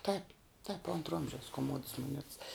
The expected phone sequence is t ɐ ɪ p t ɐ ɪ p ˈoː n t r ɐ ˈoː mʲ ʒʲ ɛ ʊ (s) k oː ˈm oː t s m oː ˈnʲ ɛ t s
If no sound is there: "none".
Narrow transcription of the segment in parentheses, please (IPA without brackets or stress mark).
s